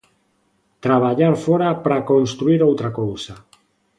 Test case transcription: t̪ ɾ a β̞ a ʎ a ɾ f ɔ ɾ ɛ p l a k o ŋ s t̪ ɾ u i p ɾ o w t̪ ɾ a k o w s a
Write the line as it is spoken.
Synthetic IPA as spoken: t̪ ɾ a β̞ a ʎ a ɾ f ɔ ɾ a p ɾ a k o n s t̪ ɾ u i ɾ o w t̪ ɾ a k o w s a